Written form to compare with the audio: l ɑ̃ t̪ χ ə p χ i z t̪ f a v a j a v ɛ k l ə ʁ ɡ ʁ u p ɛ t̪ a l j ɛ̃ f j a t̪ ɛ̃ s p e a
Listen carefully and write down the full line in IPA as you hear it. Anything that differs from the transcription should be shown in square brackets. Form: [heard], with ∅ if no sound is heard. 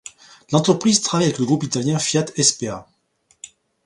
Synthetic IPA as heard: l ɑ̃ t̪ χ ə p χ i z t̪ [χ] a v a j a v ɛ k l ə [∅] ɡ ʁ u p [i] t̪ a l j ɛ̃ f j a t̪ [ɛ] s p e a